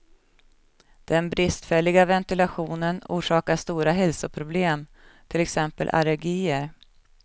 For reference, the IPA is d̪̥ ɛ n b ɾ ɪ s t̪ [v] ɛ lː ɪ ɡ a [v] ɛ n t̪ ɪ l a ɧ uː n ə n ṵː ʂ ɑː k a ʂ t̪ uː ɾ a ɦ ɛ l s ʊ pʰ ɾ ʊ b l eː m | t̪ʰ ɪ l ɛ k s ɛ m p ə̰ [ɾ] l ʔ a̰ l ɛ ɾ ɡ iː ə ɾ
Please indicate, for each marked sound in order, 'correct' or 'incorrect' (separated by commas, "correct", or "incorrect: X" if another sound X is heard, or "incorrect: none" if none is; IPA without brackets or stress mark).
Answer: incorrect: f, correct, incorrect: none